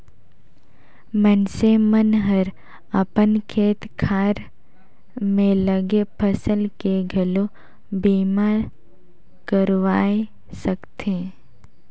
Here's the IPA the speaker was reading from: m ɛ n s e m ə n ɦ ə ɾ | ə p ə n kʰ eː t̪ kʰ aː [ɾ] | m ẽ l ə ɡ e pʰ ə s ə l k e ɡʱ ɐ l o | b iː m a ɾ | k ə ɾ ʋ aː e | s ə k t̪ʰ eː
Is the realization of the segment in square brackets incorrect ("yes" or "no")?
no